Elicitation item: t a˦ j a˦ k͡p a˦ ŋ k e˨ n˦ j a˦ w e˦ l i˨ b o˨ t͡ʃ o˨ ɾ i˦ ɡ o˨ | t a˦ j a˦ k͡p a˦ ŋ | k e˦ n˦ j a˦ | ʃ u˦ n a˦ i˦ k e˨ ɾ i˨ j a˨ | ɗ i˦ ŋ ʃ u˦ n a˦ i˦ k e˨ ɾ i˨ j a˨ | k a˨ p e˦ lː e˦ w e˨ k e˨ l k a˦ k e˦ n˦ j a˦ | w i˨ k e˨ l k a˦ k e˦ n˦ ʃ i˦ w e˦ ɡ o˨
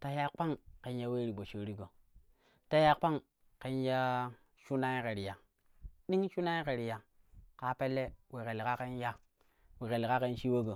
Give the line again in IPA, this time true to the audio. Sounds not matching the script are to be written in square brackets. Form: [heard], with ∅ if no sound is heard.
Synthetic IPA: t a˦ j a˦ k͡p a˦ ŋ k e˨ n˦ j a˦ w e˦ [ɾ] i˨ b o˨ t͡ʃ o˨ ɾ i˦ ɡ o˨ | t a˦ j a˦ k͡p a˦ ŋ | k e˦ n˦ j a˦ | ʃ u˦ n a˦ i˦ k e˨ ɾ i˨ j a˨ | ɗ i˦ ŋ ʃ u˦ n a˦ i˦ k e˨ ɾ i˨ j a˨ | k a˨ p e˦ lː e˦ w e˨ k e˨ l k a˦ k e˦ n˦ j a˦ | w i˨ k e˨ l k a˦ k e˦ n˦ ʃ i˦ w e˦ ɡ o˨